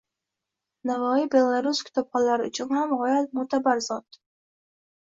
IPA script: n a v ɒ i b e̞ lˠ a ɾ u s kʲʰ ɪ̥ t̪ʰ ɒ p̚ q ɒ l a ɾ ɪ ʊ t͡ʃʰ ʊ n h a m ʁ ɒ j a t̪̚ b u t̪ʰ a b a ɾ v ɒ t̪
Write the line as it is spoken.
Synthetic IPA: n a v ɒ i b e̞ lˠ a ɾ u s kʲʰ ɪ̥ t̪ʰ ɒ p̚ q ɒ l a ɾ ɪ ʊ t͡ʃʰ ʊ n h a m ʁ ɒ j a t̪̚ m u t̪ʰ a b a ɾ z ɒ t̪